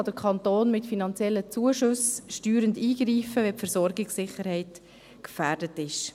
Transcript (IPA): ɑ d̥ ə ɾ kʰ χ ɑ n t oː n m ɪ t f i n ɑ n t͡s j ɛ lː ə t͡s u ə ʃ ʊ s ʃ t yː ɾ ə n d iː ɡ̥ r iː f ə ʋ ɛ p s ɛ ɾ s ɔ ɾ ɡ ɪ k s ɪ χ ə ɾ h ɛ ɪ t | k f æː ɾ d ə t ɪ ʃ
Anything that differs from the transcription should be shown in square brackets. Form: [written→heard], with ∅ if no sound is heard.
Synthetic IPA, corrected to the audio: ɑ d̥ ə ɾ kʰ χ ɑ n t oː n m ɪ t f i n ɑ n t͡s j ɛ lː ə t͡s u ə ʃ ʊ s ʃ t yː ɾ ə n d iː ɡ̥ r iː f ə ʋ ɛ p [s→f] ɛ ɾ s ɔ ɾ ɡ ɪ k s ɪ χ ə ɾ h ɛ ɪ t | k f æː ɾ d ə t ɪ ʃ